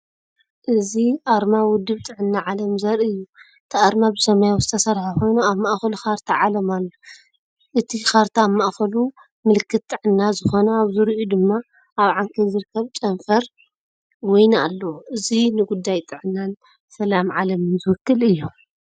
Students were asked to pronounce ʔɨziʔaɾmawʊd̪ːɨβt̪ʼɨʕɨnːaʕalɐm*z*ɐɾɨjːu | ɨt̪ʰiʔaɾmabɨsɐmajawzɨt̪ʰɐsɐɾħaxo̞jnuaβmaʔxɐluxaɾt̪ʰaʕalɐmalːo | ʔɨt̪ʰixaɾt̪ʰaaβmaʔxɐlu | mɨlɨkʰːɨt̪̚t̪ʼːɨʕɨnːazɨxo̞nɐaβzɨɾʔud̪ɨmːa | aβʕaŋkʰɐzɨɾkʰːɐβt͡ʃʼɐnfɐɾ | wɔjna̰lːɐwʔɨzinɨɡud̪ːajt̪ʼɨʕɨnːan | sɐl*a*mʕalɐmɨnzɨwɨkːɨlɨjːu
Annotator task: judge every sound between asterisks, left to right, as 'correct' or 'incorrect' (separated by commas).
correct, correct